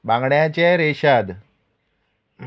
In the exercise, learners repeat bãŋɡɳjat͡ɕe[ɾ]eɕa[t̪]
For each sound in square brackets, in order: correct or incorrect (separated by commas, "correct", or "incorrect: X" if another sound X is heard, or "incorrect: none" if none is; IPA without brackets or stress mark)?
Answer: correct, incorrect: d̪